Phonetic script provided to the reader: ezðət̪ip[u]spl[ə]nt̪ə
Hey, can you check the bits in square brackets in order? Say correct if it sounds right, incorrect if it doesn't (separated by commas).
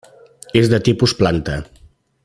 correct, incorrect